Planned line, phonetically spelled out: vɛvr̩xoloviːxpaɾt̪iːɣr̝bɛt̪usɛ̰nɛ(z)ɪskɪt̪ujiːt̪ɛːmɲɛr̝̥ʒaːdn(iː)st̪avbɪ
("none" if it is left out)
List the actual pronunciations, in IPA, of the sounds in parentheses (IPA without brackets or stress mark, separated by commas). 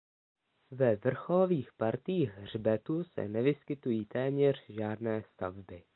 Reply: v, ɛː